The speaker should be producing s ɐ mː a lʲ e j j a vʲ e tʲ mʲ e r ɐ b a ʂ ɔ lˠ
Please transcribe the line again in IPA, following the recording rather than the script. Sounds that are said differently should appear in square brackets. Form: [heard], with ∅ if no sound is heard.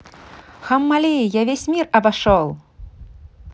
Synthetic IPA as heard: [x] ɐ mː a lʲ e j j a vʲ e [sʲ] mʲ [i] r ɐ b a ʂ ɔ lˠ

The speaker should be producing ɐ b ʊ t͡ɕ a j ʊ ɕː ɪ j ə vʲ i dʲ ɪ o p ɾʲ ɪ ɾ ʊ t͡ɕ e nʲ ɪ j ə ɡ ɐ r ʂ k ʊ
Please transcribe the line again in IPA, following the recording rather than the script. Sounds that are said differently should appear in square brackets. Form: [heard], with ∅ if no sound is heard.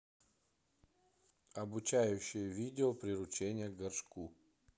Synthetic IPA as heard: ɐ b ʊ t͡ɕ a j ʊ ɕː ɪ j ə vʲ i dʲ ɪ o p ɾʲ ɪ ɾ ʊ t͡ɕ e nʲ ɪ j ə ɡ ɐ r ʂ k [u]

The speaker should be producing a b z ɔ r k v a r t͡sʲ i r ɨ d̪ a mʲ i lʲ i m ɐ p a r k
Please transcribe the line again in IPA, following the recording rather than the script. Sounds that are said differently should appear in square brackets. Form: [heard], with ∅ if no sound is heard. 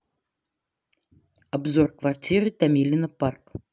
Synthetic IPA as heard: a b z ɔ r k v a r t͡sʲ i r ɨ [t̪] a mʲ i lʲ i [n] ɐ p a r k

